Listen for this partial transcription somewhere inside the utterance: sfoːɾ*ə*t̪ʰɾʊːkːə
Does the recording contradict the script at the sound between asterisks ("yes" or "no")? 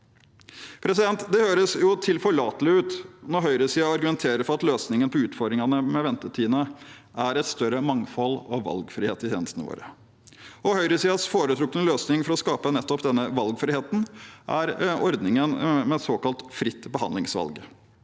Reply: no